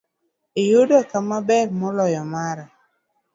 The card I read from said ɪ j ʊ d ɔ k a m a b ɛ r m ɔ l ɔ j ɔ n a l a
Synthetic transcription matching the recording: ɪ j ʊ d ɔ k a m a b ɛ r m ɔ l ɔ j ɔ m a ɾ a